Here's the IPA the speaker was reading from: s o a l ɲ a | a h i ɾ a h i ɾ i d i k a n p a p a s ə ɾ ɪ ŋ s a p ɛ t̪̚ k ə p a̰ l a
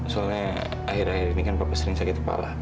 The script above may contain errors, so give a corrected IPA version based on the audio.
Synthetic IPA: s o a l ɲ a | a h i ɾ a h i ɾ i n i k a n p a p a s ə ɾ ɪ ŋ s a k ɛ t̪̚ k ə p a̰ l a